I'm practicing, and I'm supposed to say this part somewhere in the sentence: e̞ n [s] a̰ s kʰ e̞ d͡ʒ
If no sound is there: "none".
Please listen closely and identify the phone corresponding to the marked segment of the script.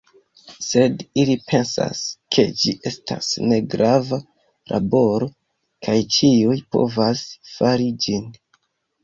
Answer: s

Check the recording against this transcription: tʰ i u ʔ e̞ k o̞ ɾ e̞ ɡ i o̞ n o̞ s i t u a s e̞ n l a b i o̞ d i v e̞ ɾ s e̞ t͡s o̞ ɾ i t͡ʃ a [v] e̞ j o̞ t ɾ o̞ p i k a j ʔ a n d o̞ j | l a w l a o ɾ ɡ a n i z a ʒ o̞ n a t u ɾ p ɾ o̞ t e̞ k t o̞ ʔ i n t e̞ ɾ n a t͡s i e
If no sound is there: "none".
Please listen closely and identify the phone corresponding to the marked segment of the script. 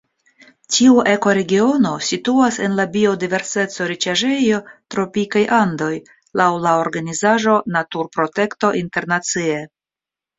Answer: ʒ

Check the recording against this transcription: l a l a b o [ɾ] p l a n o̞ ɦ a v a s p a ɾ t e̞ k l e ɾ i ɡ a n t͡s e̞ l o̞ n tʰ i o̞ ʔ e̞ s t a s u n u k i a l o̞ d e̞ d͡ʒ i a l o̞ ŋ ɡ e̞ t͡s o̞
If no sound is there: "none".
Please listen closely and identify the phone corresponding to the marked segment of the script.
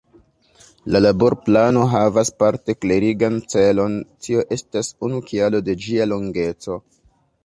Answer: ɾ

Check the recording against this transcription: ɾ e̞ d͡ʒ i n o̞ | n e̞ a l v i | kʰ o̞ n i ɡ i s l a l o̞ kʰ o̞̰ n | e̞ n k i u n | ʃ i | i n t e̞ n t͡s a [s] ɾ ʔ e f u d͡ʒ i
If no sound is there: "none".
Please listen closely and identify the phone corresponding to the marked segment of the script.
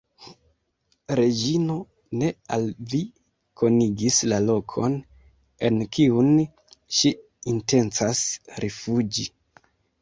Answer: s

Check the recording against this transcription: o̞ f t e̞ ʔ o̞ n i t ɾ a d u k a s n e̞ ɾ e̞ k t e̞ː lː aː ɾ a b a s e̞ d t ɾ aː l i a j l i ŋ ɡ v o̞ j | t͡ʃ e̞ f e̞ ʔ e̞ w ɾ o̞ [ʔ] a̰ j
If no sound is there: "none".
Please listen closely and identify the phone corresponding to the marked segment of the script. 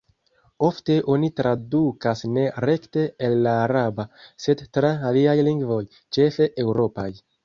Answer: p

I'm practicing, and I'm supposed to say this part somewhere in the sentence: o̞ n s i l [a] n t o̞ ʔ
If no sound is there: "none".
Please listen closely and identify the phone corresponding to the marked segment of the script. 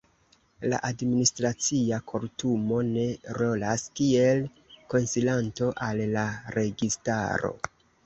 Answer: a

